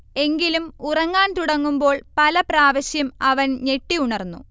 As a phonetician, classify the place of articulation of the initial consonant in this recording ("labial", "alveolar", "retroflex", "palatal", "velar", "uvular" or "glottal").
velar